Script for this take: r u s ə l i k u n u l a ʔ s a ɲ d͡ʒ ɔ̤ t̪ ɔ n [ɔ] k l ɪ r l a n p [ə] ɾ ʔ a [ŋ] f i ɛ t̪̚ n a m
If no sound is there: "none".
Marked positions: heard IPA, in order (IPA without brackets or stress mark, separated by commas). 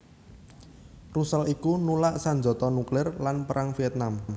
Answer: u, ə, ŋ